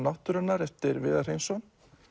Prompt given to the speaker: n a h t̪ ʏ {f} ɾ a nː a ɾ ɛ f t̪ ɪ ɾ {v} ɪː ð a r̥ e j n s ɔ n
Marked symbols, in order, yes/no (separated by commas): no, yes